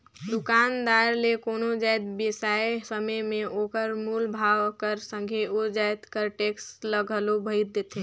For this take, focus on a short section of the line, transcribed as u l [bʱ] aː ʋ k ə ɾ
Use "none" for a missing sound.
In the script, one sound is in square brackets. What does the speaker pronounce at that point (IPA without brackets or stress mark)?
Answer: bʱ